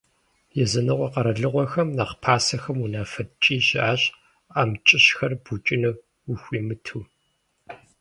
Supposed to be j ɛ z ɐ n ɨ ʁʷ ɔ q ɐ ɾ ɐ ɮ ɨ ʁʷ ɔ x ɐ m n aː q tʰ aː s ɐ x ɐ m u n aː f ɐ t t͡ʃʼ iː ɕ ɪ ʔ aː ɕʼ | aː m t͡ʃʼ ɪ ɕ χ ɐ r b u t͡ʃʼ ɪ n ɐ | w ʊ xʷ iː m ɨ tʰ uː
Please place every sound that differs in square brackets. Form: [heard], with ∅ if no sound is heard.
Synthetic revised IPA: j ɛ z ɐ n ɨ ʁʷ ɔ q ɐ ɾ ɐ ɮ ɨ ʁʷ ɔ x ɐ m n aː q [pʰ] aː s ɐ x ɐ m u n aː f ɐ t t͡ʃʼ iː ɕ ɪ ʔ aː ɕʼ | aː m t͡ʃʼ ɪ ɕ [x] ɐ r b u t͡ʃʼ ɪ n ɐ | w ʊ xʷ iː m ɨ tʰ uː